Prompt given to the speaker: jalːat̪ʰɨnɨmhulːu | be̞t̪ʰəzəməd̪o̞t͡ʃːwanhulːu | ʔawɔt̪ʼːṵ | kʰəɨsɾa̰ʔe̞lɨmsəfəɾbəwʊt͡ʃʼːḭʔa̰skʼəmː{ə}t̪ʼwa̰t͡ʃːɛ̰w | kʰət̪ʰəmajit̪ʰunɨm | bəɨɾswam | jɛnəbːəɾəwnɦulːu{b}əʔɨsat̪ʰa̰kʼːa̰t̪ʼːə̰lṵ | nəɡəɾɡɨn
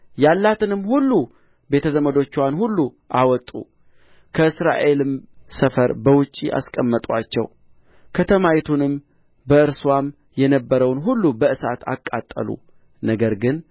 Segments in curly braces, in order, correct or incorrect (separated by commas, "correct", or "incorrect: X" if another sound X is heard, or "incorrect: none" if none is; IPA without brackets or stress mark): correct, correct